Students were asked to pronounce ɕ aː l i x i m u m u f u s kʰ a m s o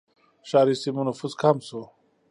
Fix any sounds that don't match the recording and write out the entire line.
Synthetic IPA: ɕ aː ɾ i s i m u n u f u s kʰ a m s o